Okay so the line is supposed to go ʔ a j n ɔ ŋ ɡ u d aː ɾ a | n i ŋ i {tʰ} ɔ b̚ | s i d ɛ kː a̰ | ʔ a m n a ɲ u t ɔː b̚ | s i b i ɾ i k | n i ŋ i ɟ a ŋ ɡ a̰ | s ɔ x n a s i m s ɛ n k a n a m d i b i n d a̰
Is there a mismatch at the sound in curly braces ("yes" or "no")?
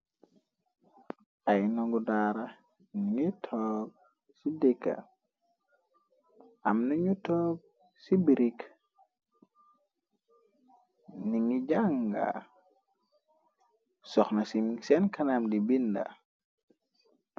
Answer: no